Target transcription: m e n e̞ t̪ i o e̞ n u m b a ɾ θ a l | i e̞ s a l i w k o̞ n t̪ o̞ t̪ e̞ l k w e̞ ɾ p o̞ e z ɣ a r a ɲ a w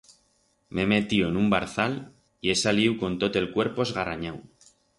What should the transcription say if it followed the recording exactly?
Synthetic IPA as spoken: m e m e̞ t̪ i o e̞ n u m b a ɾ θ a l | i e̞ s a l i w k o̞ n t̪ o̞ t̪ e̞ l k w e̞ ɾ p o̞ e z ɣ a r a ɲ a w